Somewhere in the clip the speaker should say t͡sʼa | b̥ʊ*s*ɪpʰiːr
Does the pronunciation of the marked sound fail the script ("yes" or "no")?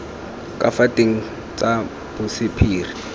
no